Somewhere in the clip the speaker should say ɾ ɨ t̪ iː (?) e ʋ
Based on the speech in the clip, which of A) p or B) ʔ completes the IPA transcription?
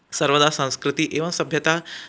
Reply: B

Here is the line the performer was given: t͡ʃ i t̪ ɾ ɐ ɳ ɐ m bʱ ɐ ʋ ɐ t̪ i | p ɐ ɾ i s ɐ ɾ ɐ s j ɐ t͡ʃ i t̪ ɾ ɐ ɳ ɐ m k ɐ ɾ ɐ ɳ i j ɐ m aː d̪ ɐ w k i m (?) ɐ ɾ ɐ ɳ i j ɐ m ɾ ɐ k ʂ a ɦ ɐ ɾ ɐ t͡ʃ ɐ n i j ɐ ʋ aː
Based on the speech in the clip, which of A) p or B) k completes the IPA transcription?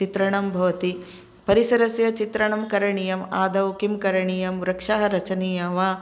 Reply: B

